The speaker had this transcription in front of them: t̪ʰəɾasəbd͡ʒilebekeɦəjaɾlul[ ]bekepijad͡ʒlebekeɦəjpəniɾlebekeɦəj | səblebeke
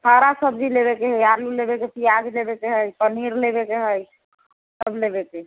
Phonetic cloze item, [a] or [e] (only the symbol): e